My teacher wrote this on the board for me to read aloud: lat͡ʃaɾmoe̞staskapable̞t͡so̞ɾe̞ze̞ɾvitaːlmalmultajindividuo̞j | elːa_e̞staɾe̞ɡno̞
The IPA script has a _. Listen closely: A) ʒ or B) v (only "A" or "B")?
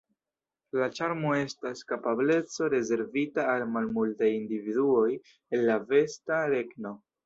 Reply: B